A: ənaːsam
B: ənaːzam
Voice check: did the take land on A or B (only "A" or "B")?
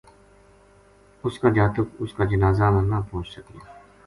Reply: B